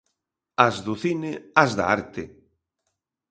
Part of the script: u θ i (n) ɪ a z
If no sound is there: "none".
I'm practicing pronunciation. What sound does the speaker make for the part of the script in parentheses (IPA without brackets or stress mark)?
n